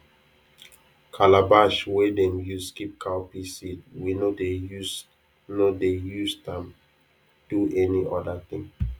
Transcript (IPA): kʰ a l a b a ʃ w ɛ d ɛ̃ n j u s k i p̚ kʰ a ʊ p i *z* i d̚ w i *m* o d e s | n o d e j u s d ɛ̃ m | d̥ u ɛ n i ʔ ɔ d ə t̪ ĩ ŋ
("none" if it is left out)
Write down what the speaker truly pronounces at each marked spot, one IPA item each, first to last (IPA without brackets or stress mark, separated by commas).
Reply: s, n